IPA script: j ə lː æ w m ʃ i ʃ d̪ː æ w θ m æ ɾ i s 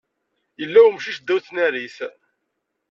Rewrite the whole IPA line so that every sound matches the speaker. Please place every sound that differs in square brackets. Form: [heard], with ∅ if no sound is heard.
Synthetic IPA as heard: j ə lː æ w m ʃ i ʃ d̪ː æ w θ [n] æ ɾ i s